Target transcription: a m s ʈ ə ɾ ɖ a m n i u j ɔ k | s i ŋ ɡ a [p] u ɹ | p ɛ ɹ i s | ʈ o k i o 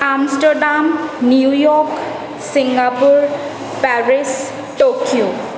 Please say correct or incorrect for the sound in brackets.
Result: correct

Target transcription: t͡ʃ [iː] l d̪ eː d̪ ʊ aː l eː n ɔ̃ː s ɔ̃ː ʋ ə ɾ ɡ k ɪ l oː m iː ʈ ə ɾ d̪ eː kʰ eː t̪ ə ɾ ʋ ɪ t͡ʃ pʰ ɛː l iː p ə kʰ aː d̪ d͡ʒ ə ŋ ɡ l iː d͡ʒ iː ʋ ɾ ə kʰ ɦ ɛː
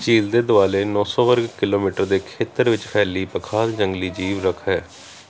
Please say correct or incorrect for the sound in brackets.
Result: correct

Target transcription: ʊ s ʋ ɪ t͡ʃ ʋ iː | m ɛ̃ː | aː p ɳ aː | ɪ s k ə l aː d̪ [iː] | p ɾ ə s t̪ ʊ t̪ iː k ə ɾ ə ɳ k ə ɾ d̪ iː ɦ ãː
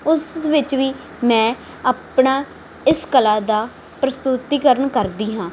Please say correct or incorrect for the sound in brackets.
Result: incorrect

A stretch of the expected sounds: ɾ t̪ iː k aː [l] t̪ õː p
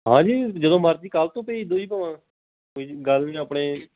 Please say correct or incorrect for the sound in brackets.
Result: correct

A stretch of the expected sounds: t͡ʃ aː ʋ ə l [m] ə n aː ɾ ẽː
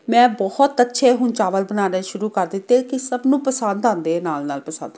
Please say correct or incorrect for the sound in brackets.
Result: incorrect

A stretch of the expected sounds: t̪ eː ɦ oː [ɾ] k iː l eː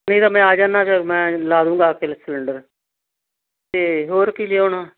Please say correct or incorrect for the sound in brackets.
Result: correct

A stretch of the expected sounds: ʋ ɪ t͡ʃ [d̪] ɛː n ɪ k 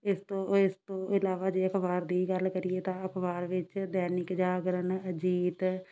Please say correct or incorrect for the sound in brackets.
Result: correct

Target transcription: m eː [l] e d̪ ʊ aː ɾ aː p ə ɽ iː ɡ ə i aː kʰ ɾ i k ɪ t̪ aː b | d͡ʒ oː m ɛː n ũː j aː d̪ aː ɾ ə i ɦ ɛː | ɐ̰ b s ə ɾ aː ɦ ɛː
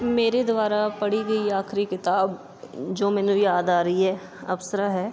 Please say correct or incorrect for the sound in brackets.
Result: incorrect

